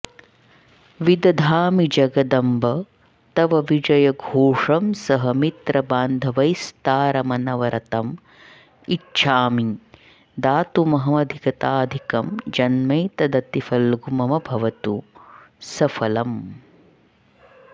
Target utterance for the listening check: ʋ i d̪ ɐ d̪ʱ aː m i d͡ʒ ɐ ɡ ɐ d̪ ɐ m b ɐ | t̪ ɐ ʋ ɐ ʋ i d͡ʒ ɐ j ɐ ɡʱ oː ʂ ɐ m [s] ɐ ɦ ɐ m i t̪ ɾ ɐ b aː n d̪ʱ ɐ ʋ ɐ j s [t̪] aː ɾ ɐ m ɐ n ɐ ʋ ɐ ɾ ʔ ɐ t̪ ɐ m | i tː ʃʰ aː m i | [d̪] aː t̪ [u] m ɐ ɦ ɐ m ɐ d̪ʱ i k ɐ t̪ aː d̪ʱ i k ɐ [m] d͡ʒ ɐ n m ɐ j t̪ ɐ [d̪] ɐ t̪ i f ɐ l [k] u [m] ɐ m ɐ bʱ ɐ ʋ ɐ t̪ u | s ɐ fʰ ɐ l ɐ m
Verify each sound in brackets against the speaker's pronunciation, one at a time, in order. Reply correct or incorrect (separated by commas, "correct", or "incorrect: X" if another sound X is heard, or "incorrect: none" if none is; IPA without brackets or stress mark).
correct, correct, correct, correct, correct, correct, incorrect: ɡ, correct